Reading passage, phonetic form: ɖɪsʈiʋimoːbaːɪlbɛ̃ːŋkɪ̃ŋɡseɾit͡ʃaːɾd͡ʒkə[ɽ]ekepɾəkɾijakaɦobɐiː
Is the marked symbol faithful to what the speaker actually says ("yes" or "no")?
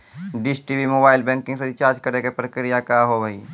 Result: no